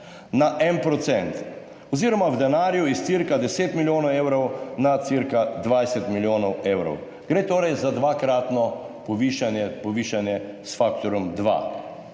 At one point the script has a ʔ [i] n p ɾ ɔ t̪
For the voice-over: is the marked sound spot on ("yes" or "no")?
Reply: no